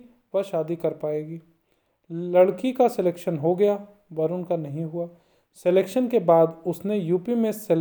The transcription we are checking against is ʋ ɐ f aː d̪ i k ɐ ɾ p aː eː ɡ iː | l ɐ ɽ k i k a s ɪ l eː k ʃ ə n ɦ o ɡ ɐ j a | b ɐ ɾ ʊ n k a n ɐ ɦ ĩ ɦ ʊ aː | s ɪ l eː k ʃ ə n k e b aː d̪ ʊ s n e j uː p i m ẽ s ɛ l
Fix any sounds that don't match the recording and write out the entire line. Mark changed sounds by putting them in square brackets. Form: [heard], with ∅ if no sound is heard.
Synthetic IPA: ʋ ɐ [ʃ] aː d̪ i k ɐ ɾ p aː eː ɡ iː | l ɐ ɽ k i k a s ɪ l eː k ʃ ə n ɦ o ɡ ɐ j a | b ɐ ɾ ʊ n k a n ɐ ɦ ĩ ɦ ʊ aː | s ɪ l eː k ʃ ə n k e b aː d̪ ʊ s n e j uː p i m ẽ s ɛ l